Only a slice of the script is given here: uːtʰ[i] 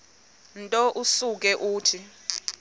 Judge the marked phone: correct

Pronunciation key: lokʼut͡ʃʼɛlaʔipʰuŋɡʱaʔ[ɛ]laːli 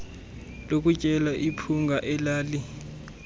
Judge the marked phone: correct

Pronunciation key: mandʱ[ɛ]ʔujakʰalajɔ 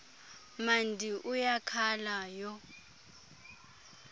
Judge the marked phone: incorrect: i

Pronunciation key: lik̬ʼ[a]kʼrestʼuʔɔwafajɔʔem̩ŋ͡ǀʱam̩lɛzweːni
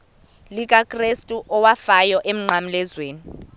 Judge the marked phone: correct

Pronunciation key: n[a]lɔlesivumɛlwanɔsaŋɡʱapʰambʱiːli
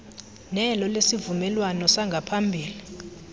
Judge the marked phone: incorrect: ɛ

